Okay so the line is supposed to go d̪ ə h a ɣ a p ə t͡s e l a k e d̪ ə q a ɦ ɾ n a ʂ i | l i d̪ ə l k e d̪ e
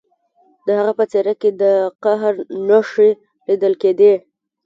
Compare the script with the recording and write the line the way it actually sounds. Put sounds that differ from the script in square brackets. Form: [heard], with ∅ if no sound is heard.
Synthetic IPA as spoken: d̪ ə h a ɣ a p ə t͡s e [ɾ] a k e d̪ ə q a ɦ ɾ n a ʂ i | l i d̪ ə l k e d̪ e

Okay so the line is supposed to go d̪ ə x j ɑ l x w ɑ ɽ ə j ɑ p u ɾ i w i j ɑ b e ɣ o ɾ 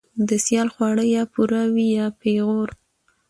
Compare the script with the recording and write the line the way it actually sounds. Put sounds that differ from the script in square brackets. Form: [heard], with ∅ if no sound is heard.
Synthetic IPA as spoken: d̪ ə [s] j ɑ l x w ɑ ɽ ə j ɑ p u ɾ [a] w i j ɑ [p] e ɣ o ɾ

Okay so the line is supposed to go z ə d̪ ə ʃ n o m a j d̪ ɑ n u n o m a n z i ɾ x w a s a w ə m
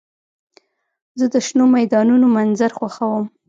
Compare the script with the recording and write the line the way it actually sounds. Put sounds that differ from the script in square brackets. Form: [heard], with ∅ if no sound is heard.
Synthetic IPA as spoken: z ə d̪ ə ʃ n o m a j d̪ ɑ n u n o m a n z [a] ɾ x w a [x] a w ə m

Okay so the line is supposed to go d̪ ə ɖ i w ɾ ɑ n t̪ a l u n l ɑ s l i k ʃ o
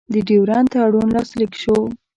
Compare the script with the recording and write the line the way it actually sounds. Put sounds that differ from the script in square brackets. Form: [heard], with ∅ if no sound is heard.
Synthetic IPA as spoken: d̪ ə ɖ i w ɾ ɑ n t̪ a [ɽ] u n l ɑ s l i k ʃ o

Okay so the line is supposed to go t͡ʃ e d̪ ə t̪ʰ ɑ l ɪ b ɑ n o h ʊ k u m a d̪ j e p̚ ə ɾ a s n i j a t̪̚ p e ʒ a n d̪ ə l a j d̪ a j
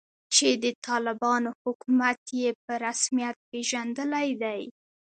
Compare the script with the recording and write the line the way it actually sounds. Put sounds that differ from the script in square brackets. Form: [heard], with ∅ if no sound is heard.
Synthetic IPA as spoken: t͡ʃ e d̪ ə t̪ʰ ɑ l ɪ b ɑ n o h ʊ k u m a [t̪] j e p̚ ə ɾ a s [m] i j a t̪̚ p e ʒ a n d̪ ə l a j d̪ a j

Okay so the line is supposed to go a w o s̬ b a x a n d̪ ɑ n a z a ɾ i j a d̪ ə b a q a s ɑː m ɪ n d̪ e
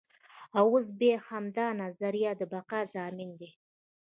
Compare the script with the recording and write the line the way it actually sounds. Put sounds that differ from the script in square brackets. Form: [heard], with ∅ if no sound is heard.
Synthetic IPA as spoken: a w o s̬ b [e] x a [m] d̪ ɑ n a z a ɾ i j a d̪ ə b a q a [z] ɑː m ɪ n d̪ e

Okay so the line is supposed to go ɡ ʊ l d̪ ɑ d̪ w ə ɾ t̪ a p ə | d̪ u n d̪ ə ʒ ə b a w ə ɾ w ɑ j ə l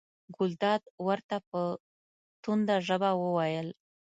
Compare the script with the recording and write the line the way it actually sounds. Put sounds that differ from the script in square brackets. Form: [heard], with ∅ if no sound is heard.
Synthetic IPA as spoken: ɡ ʊ l d̪ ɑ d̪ w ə ɾ t̪ a p ə | [t̪] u n d̪ [a] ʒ ə b a w ə [∅] w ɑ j ə l

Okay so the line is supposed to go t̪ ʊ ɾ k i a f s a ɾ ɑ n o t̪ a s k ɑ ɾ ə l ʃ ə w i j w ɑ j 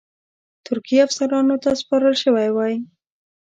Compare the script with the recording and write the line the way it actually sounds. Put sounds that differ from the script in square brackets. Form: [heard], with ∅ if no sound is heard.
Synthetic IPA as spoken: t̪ ʊ ɾ k i a f s a ɾ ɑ n o t̪ a s [p] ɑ ɾ ə l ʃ ə w [a] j w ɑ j

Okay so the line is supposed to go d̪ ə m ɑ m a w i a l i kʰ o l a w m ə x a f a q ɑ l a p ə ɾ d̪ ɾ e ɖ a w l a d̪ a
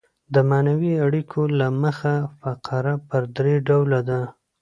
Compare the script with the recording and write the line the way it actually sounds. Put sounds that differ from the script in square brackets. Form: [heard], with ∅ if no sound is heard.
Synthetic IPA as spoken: d̪ ə m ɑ [n] a w i a [ɽ] i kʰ o l a [∅] m ə x a f a q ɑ [ɾ] a p ə ɾ d̪ ɾ e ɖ a w l a d̪ a

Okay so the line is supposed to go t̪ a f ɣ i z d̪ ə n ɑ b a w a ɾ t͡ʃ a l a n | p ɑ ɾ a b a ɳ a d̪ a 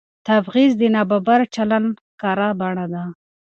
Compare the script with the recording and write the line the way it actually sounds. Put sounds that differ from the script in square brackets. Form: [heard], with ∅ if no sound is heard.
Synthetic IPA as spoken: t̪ a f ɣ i z d̪ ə n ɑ b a [b] a ɾ t͡ʃ a l a n | [k] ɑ ɾ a b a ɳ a d̪ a

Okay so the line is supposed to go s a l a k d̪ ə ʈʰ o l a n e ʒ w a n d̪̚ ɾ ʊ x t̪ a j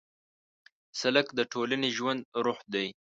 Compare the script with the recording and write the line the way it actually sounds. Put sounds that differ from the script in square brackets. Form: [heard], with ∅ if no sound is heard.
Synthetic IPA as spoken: s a l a k d̪ ə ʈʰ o l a n e ʒ w a n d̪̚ ɾ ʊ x [d̪] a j

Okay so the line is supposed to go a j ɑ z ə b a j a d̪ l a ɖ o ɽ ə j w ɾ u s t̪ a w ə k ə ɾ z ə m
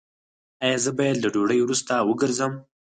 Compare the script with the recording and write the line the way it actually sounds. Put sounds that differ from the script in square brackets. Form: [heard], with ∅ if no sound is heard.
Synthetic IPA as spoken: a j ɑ z ə b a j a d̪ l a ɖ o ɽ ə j w ɾ u s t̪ a w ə [ɡ] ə ɾ z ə m

